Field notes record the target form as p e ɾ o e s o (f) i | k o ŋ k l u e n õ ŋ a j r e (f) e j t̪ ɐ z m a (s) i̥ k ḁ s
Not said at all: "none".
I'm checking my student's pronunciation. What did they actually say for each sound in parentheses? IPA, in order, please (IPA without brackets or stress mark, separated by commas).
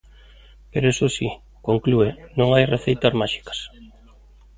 s, θ, ʃ